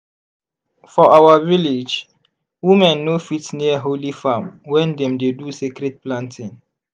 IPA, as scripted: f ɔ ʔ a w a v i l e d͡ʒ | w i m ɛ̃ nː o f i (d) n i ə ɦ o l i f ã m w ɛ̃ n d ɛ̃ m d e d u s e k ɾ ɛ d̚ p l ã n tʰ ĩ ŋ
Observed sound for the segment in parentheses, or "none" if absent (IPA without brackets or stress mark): t